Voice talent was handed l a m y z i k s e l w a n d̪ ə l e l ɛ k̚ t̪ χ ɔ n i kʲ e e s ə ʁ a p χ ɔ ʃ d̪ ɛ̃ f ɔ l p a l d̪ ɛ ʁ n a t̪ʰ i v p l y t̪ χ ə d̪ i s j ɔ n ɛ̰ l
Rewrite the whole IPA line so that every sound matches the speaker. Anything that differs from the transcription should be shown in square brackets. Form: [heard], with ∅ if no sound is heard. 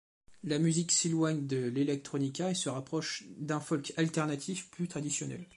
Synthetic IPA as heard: l a m y z i k s e l w a [ɲ] d̪ ə l e l ɛ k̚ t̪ χ ɔ n i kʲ [a] e s ə ʁ a p χ ɔ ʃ d̪ ɛ̃ f ɔ l [k] a l [t̪] ɛ ʁ n a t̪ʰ i [f] p l y t̪ χ [a] d̪ i s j ɔ n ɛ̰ l